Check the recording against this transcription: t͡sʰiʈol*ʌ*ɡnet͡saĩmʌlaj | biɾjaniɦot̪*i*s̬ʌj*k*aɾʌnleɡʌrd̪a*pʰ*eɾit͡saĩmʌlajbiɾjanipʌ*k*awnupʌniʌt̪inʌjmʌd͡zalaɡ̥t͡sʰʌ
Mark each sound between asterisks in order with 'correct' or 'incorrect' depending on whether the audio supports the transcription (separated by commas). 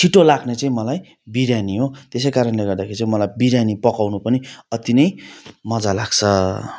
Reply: incorrect, incorrect, correct, incorrect, correct